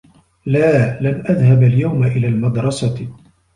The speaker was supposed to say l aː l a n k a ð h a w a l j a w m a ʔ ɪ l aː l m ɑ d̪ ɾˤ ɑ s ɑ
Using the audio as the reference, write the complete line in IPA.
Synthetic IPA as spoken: l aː l a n ʔ a ð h a b a l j a w m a ʔ ɪ l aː l m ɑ d̪ ɾˤ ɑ s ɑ